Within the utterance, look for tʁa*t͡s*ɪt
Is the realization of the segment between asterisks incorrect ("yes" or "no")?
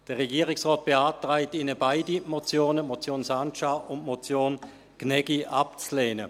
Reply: yes